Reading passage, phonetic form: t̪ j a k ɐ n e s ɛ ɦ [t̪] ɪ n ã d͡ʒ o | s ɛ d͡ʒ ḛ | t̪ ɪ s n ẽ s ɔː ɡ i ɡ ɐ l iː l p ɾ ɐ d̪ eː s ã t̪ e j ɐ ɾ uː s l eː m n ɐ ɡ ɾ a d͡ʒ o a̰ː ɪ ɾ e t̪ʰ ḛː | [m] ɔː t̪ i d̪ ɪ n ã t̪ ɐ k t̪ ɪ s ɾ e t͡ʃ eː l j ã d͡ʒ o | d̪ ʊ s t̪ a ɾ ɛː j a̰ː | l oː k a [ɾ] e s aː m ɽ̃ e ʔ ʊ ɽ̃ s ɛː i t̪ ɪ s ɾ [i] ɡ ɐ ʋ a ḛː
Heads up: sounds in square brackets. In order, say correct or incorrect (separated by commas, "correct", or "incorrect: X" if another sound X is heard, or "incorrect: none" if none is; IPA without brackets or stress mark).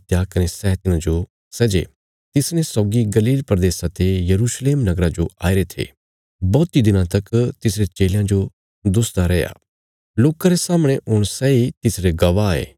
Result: correct, incorrect: b, correct, incorrect: e